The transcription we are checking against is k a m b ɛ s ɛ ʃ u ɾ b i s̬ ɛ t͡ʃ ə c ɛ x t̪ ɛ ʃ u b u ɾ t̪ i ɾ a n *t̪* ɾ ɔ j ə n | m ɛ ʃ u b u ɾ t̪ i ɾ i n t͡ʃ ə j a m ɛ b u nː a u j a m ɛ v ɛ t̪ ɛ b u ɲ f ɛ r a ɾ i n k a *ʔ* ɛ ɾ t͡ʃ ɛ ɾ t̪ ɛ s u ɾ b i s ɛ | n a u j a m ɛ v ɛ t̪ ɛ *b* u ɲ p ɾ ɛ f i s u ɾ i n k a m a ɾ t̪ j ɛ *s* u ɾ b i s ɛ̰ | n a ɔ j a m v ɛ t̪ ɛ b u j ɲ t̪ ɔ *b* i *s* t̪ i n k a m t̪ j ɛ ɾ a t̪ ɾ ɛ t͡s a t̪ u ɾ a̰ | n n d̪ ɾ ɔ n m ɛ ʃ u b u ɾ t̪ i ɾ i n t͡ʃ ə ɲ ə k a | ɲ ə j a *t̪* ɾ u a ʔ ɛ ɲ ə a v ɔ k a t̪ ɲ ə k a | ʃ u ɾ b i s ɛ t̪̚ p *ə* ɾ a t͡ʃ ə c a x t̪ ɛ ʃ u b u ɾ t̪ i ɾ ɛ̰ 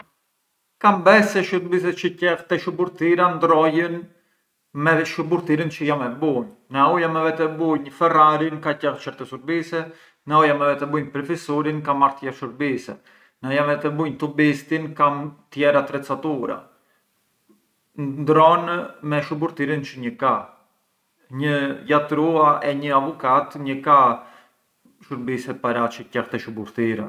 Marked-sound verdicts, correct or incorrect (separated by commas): incorrect, incorrect, correct, incorrect, correct, correct, correct, incorrect